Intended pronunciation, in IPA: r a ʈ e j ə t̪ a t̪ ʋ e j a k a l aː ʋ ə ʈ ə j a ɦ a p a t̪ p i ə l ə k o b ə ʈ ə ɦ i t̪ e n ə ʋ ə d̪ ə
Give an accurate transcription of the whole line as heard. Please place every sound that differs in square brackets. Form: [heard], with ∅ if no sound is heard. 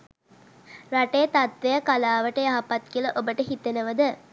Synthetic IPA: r a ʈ e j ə t̪ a t̪ ʋ e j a k a l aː ʋ ə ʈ ə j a ɦ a p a t̪ [k] i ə l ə [ʔ] o b ə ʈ ə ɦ i t̪ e n ə ʋ ə d̪ ə